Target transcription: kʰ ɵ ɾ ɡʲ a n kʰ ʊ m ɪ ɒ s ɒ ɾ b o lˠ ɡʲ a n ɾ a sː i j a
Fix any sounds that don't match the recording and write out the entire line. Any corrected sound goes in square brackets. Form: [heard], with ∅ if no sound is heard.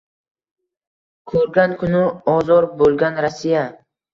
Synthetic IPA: kʰ ɵ ɾ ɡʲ a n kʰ ʊ [n] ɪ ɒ [z] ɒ ɾ b o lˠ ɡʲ a n ɾ a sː i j a